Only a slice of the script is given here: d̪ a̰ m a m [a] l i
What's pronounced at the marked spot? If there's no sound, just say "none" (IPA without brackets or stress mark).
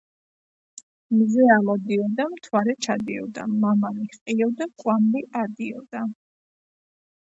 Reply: a